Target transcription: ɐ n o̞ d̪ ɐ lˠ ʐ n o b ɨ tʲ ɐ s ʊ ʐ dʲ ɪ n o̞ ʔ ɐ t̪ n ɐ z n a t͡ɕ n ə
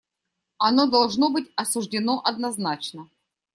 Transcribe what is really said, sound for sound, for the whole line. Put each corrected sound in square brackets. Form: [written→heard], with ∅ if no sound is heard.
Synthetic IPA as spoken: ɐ n o̞ d̪ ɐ lˠ ʐ n o b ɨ tʲ ɐ s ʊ ʐ dʲ ɪ n o̞ ʔ ɐ [t̪→d̪] n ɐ z n a t͡ɕ n ə